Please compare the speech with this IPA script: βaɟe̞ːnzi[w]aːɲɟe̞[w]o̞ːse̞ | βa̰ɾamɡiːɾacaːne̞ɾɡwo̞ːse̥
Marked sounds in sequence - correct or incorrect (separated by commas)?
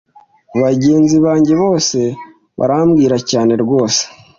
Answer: incorrect, incorrect